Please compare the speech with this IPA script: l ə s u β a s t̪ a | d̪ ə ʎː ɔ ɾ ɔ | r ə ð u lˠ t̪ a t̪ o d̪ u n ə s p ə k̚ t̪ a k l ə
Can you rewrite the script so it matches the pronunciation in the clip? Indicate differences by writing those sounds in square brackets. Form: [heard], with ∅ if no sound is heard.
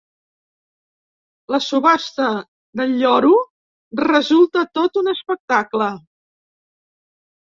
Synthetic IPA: l ə s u β a s t̪ [ə] | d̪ ə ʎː ɔ ɾ [u] | r ə [z] u lˠ t̪ [ə] t̪ o [t̪] u n ə s p ə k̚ t̪ a k l ə